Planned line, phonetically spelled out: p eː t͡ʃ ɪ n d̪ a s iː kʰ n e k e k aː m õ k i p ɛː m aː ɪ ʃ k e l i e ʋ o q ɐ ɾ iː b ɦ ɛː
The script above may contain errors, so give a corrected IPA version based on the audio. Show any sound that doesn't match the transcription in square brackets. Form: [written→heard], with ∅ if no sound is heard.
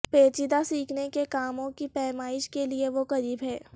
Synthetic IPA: p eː t͡ʃ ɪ [n→∅] d̪ a s iː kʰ n e k e k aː m õ k i p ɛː m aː ɪ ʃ k e l i e ʋ o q ɐ ɾ iː b ɦ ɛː